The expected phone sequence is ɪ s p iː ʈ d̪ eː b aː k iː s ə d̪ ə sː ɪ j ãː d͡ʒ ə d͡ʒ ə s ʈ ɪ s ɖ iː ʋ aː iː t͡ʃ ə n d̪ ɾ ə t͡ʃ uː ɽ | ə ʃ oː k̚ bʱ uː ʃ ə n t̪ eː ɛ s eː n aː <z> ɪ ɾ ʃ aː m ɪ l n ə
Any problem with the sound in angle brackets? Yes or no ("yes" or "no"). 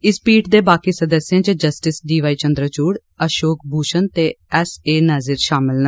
no